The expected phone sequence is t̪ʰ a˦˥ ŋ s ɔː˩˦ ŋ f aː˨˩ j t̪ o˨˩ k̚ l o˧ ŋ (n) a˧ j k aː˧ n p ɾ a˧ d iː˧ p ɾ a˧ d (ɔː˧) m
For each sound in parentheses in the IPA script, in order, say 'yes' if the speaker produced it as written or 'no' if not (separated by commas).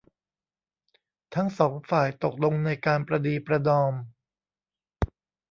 yes, yes